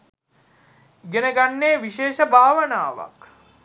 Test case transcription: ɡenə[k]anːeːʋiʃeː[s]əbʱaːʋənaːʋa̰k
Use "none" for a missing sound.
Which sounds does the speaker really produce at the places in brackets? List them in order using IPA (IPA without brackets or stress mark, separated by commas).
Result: ɡ, ʃ